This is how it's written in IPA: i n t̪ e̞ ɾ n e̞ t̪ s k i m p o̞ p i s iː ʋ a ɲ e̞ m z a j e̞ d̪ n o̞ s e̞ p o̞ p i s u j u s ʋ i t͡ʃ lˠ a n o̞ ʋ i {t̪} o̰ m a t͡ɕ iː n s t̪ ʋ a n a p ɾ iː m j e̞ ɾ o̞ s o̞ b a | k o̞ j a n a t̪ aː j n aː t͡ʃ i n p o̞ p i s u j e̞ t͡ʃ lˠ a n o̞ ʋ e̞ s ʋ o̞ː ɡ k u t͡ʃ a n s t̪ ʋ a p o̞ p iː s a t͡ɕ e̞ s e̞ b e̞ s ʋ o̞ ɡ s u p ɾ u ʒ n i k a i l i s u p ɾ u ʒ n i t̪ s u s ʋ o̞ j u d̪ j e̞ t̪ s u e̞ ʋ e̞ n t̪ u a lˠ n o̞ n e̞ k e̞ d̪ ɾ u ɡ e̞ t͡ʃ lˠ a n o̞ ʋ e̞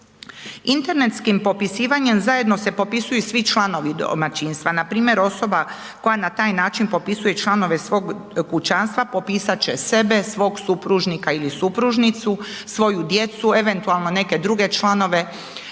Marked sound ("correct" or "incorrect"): incorrect